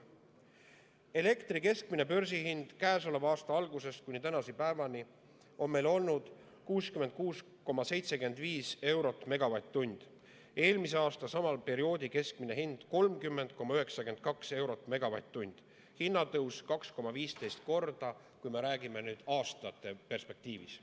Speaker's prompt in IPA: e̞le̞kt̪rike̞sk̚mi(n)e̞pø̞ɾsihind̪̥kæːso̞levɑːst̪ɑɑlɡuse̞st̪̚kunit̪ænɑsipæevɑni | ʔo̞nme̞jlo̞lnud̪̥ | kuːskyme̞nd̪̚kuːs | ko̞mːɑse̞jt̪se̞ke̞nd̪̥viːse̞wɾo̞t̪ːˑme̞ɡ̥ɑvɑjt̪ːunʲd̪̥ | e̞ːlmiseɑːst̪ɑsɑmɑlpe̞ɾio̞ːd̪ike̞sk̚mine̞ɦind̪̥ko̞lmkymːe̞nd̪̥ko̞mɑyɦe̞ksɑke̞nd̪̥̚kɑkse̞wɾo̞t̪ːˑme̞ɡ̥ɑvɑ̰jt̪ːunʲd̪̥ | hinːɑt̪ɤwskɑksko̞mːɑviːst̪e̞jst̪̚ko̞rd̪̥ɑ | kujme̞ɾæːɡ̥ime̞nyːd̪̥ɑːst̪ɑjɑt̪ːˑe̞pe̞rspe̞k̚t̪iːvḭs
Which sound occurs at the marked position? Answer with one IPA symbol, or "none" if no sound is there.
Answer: n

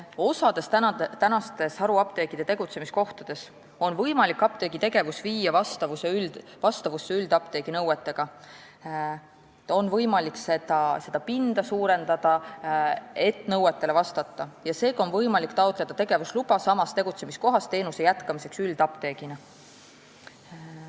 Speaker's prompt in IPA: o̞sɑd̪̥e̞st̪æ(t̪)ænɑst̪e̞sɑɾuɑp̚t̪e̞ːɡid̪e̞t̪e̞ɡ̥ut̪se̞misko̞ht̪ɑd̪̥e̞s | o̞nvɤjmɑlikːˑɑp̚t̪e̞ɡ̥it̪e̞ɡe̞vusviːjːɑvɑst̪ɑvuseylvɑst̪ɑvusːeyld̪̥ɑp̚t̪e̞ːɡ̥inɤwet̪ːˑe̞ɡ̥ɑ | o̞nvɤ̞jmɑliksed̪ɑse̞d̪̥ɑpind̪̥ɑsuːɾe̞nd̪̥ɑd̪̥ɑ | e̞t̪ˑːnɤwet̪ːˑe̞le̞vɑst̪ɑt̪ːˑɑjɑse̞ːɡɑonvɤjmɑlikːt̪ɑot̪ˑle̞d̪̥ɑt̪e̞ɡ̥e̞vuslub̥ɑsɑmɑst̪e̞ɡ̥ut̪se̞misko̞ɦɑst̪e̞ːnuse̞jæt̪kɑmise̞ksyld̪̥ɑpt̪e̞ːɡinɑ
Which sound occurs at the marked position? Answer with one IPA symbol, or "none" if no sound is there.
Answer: t̪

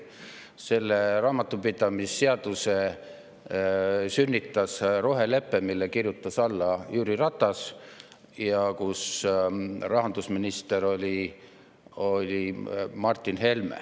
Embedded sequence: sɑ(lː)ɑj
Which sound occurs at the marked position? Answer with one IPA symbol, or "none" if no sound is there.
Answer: lː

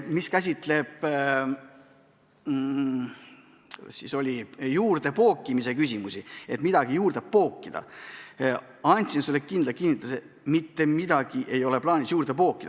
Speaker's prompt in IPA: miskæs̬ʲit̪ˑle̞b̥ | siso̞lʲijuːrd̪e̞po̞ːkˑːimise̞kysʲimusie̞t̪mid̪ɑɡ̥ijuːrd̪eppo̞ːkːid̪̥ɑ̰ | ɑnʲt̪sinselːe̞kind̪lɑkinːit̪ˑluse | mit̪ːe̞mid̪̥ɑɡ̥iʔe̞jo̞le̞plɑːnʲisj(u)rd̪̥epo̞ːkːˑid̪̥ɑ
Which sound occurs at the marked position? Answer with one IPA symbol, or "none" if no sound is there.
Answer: uː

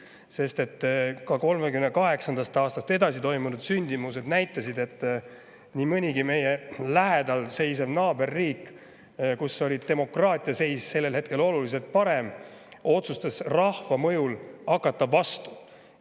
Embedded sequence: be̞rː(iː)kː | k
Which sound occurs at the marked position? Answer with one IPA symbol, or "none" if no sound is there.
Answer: iː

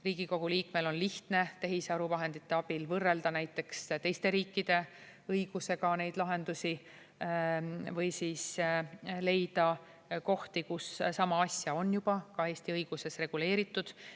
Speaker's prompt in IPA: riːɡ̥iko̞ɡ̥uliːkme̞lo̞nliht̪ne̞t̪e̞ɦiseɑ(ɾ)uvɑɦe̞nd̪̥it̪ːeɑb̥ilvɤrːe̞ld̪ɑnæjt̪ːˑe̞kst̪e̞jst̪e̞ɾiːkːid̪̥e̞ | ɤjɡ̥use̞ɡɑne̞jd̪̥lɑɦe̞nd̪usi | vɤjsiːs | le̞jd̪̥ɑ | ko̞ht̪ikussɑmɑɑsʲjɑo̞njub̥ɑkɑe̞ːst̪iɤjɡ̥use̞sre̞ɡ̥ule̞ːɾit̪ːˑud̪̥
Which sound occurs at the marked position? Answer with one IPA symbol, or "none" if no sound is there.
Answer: ɾ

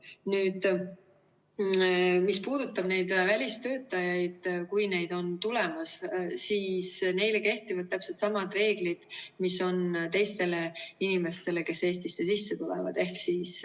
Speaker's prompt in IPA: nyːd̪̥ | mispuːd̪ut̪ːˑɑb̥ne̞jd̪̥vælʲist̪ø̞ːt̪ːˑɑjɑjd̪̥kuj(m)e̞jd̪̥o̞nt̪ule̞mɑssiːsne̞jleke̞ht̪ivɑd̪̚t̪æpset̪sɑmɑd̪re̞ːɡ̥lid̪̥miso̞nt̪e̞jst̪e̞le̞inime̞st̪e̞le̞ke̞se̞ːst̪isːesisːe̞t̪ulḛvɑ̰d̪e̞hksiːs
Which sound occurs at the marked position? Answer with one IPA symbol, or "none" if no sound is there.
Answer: n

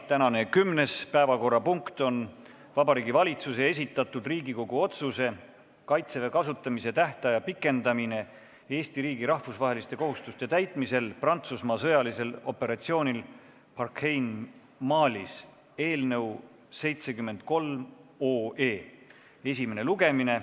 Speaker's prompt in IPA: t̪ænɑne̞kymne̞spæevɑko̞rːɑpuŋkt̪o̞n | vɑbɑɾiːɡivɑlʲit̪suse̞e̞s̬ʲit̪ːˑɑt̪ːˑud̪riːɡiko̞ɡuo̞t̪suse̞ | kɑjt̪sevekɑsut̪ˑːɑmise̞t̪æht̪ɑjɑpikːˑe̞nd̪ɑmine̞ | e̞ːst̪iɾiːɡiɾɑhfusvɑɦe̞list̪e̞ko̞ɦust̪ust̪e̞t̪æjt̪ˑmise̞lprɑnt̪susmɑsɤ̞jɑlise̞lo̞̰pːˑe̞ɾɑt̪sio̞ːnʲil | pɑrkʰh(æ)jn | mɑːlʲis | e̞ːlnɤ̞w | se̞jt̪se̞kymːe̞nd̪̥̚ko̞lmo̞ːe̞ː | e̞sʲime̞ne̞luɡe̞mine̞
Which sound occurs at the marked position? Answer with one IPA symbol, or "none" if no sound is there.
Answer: e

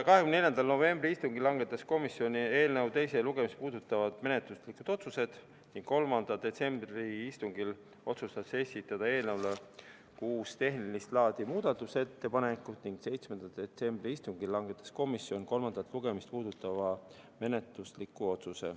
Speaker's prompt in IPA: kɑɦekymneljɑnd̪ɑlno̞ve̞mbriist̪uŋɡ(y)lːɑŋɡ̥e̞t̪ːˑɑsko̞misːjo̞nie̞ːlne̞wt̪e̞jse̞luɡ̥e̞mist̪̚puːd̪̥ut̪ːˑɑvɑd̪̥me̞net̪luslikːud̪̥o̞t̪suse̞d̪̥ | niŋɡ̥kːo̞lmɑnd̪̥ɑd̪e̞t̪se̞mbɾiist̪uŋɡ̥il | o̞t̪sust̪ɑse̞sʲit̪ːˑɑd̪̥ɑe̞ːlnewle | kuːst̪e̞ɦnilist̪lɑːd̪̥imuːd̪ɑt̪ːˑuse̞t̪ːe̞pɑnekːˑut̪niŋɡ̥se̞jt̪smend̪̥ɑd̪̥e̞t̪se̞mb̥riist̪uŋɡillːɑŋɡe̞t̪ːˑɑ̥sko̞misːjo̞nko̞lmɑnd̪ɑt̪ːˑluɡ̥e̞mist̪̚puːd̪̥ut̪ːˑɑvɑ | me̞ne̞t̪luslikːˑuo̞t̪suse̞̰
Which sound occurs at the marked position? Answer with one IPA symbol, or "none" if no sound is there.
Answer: i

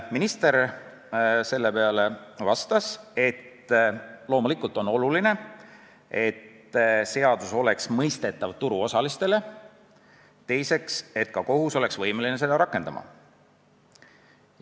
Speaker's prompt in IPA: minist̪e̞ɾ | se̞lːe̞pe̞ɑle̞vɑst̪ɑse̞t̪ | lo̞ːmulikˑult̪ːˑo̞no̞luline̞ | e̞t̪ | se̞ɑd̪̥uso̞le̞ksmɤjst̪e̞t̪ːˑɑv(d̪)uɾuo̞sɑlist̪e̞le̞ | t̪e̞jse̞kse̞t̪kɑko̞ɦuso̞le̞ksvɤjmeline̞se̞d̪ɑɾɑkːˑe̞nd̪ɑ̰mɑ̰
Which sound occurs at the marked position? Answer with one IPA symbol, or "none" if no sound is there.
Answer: t̪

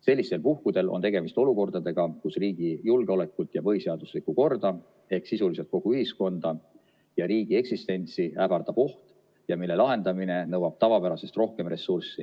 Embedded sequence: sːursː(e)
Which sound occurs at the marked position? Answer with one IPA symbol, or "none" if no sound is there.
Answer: i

